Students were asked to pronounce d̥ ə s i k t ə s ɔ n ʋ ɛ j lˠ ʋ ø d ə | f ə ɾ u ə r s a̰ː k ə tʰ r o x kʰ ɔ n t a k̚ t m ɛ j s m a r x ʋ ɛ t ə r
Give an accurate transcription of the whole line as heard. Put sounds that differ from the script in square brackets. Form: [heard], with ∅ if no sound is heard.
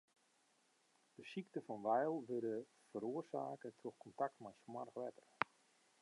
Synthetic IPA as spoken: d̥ ə s i k t ə [f] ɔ n ʋ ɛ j lˠ ʋ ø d ə | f ə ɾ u ə r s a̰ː k ə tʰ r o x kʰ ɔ n t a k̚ t m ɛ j s m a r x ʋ ɛ t ə r